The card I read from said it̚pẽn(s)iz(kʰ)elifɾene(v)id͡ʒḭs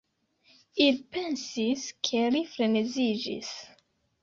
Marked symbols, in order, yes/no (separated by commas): yes, yes, no